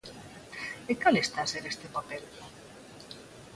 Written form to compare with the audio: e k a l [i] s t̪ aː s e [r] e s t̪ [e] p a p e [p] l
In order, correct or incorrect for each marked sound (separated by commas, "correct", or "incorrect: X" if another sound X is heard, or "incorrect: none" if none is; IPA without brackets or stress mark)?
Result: incorrect: e, incorrect: ɾ, correct, incorrect: none